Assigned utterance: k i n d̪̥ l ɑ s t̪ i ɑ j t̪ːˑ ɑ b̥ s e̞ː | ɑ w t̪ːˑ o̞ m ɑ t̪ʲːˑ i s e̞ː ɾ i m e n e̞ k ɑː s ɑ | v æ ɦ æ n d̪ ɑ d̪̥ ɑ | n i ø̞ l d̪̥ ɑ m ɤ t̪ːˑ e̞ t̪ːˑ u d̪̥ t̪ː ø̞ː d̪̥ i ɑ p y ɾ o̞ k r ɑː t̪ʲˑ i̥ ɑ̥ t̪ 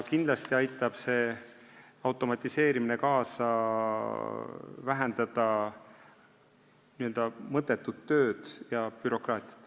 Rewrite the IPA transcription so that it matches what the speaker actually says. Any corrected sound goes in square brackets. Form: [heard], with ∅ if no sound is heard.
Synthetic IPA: k i n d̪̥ l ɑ s t̪ i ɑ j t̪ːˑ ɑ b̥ s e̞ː | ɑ w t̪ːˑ o̞ m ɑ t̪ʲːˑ i s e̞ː ɾ i m [i] n e̞ k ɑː s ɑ | v æ ɦ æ n d̪ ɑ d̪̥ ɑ | n i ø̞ l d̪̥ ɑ m ɤ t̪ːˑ e̞ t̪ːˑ u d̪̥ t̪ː ø̞ː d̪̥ [j] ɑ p y ɾ o̞ k r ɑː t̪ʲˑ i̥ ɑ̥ t̪